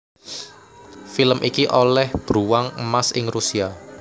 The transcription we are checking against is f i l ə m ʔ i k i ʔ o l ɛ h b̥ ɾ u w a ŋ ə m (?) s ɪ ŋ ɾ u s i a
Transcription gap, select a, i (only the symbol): a